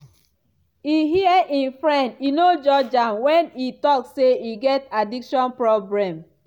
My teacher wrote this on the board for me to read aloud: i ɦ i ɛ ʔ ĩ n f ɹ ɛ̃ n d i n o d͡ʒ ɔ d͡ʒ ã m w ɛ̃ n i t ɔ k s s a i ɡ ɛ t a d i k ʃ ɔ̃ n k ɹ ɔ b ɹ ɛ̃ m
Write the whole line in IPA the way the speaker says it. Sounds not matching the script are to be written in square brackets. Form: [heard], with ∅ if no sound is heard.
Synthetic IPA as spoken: i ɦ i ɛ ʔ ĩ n f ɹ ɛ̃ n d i n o d͡ʒ ɔ d͡ʒ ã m w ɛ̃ n i t ɔ k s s [e] i ɡ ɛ t a d i k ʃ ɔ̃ n [p] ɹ ɔ b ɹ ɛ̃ m

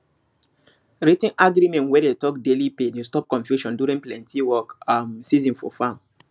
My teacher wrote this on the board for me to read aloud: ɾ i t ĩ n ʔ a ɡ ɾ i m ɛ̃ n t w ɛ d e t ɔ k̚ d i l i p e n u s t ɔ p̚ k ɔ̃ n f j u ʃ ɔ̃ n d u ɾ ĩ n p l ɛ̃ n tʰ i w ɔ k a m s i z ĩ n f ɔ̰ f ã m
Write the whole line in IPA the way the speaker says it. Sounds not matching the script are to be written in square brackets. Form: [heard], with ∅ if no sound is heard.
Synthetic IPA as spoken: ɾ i t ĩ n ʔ a ɡ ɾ i m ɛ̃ n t w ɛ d e t ɔ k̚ d [e] l i p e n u s t ɔ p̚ k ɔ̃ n f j u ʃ ɔ̃ n d u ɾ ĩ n p l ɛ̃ n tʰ i w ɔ k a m s i z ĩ n f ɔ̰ f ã m

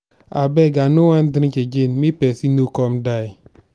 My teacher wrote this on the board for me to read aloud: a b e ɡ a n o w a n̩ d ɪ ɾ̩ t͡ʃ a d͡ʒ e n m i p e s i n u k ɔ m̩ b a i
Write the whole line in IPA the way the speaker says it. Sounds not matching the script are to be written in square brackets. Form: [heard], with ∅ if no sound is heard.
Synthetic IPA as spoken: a b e ɡ a n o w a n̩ d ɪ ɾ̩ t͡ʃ [e] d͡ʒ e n m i p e s i n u k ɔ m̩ [d] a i

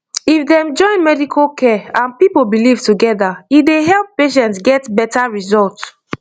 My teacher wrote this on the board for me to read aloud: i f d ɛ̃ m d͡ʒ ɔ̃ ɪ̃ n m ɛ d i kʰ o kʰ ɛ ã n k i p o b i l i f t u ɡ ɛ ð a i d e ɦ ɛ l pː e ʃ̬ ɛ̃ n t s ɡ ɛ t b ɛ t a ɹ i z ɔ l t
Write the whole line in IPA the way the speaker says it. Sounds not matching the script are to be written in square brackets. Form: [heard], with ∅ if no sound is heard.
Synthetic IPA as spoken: i f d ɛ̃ m d͡ʒ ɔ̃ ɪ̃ n m ɛ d i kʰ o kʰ ɛ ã n [p] i p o b i l i [v] t u ɡ ɛ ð a i d e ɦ ɛ l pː e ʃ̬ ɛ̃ n t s ɡ ɛ t b ɛ t a ɹ i z ɔ l t

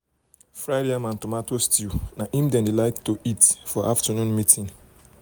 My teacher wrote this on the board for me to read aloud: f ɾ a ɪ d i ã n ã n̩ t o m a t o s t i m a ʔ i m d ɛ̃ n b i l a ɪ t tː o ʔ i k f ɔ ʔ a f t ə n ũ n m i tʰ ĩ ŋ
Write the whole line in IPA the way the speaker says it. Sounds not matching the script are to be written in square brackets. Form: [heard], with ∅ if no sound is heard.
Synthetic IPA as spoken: f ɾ a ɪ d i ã [m] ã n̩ t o m a t o s t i [n] a ʔ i m d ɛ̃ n [d] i l a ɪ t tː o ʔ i [t] f ɔ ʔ a f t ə n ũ n m i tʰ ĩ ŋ

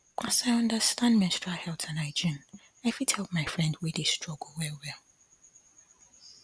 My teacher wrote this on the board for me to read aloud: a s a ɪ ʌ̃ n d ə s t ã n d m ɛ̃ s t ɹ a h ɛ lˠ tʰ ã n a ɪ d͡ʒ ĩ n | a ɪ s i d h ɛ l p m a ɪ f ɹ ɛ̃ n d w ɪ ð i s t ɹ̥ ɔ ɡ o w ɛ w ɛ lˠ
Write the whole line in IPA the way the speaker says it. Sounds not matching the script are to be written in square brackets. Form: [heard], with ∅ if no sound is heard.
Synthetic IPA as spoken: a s a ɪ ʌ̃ n d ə s t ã n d m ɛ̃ s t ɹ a h ɛ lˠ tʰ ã n a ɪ d͡ʒ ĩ n | a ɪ [f] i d h ɛ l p m a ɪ f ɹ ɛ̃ n d w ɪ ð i s t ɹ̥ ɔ ɡ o w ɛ w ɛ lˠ

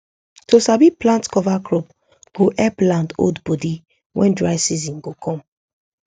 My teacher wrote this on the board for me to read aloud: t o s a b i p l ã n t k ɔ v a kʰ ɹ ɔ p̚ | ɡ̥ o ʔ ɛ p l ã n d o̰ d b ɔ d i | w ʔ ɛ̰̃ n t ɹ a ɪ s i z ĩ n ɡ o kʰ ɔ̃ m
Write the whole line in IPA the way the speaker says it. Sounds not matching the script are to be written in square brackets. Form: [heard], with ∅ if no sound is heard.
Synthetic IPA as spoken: t o s a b i p l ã n t k ɔ v a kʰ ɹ ɔ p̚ | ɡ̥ o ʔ ɛ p l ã n d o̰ d b ɔ d i | w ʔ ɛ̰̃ n [d] ɹ a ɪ s i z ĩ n ɡ o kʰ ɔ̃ m

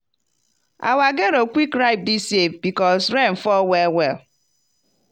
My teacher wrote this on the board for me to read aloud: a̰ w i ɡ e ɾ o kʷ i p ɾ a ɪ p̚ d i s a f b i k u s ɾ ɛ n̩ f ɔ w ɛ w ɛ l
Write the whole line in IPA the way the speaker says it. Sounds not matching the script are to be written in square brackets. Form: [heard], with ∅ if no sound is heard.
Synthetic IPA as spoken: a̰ w [a] ɡ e ɾ o kʷ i [k] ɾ a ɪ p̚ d i s [e] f b i k [ɔ] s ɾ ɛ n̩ f ɔ w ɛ w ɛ l

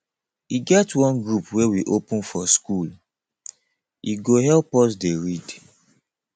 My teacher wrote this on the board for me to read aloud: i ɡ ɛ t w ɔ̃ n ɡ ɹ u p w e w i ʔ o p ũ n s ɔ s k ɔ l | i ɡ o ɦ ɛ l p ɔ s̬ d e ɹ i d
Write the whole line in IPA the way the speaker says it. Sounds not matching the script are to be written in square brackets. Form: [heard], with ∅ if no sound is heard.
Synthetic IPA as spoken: i ɡ ɛ t w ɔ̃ n ɡ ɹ u p w e w i ʔ o p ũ n [f] ɔ s k [u] l | i ɡ o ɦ ɛ l p ɔ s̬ d e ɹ i d

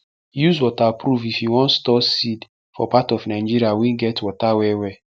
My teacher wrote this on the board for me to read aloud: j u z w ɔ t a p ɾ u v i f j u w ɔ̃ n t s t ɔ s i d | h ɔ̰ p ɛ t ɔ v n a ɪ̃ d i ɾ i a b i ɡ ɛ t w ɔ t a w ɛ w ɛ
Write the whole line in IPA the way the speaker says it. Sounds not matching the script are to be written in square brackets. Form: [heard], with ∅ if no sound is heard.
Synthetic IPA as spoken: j u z w ɔ t a p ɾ u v i f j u w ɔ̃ n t s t ɔ s i d | [f] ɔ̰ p [a] t ɔ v n a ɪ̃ [d͡ʒ] i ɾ i a [w] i ɡ ɛ t w ɔ t a w ɛ w ɛ

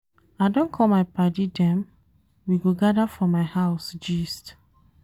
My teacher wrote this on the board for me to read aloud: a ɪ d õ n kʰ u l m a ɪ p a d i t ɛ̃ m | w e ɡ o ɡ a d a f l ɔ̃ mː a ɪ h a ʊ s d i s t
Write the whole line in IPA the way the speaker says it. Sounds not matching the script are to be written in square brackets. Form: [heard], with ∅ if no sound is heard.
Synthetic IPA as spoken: a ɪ d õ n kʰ [ɔ] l m a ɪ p a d i [d] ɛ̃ m | w [i] ɡ o ɡ a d a f [ɹ] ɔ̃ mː a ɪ h a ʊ s [d͡ʒ] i s t

